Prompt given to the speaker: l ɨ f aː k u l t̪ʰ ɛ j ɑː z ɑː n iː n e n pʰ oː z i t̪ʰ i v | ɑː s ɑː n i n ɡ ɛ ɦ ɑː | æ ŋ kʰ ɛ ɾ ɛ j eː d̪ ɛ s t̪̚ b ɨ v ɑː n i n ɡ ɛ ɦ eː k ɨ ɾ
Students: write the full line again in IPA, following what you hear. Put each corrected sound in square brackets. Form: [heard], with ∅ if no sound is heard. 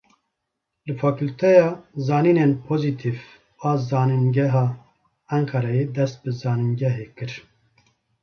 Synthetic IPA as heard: l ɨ f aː k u l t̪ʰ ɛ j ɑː z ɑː n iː n e n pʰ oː z i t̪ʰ i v | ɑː [z] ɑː n i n ɡ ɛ ɦ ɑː | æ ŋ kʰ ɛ ɾ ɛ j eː d̪ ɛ s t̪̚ b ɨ [z] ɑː n i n ɡ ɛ ɦ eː k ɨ ɾ

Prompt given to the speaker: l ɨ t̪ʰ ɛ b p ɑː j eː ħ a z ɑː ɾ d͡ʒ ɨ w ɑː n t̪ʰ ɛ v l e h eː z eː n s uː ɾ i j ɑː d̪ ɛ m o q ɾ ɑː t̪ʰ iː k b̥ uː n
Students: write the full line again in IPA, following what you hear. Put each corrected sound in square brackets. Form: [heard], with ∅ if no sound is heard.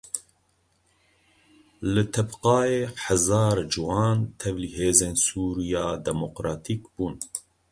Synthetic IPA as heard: l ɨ t̪ʰ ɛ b [q] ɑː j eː ħ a z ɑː ɾ d͡ʒ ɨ w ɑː n t̪ʰ ɛ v l [i] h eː z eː n s uː ɾ i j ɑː d̪ ɛ m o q ɾ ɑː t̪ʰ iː k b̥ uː n

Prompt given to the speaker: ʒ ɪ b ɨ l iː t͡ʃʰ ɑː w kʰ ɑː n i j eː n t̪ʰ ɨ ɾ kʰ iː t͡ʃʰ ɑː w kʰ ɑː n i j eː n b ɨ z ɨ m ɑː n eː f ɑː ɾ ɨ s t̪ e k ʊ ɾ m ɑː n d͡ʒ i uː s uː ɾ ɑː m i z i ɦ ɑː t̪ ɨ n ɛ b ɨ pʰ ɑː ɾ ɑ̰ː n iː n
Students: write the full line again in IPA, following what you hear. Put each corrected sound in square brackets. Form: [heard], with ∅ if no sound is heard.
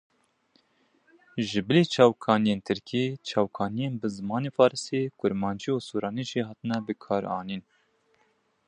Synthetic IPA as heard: ʒ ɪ b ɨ l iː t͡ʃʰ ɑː w kʰ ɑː n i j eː n t̪ʰ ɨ ɾ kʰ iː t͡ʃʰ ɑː w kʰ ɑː n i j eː n b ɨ z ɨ m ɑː n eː f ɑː ɾ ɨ s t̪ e k ʊ ɾ m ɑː n d͡ʒ i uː s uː ɾ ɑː [n] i [ʒ] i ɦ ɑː t̪ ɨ n ɛ b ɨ [kʰ] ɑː ɾ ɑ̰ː n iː n

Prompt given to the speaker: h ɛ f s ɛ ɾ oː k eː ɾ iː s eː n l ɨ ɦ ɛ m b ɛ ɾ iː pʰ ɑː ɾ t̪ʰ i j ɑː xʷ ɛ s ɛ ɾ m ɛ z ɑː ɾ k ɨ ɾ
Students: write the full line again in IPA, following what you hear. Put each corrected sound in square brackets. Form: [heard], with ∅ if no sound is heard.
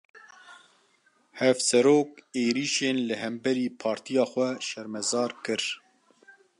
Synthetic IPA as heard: h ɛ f s ɛ ɾ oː k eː ɾ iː [ʃ] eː n l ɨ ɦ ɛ m b ɛ ɾ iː pʰ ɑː ɾ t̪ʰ i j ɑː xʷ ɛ [ʃ] ɛ ɾ m ɛ z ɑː ɾ k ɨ ɾ

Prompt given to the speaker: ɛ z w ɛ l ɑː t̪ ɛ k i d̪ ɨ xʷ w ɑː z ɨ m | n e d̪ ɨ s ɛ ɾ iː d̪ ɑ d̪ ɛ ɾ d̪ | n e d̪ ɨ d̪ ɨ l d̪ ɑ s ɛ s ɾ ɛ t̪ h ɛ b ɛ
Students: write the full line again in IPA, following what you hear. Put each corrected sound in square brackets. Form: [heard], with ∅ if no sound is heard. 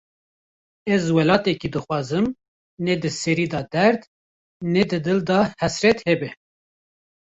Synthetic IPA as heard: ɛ z w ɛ l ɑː t̪ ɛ k i d̪ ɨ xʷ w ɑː z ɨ m | n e d̪ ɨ s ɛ ɾ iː d̪ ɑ d̪ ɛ ɾ d̪ | n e d̪ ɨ d̪ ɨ l d̪ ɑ [h] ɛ s ɾ ɛ t̪ h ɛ b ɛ

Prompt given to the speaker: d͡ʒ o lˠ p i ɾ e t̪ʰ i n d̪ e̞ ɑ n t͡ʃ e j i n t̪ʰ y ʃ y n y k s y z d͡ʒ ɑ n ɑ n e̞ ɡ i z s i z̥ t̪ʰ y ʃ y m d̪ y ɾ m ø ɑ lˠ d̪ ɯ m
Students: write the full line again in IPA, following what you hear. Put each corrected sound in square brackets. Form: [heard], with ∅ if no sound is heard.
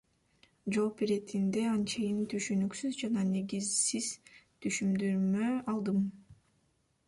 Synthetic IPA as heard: d͡ʒ o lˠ p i ɾ e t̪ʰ i n d̪ e̞ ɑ n t͡ʃ e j i n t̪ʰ y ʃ y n y k s y z d͡ʒ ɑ n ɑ n e̞ ɡ i z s i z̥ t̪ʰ y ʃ y m d̪ y ɾ m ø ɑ lˠ d̪ ɯ m

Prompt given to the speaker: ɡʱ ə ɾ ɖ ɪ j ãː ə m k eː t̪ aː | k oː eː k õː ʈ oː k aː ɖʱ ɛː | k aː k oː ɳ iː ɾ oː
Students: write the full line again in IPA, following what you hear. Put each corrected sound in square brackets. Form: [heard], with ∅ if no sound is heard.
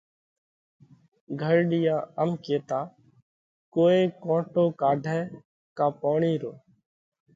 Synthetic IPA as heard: ɡʱ ə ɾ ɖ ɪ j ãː ə m k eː t̪ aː | k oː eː k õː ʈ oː k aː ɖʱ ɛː | k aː [p] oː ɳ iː ɾ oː

